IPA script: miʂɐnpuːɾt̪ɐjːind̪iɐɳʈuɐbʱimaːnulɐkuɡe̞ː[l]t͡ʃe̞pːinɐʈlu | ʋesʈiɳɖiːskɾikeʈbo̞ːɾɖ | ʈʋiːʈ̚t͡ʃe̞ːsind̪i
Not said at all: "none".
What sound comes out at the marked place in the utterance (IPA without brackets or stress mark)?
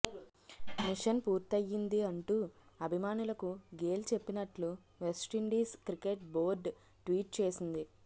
l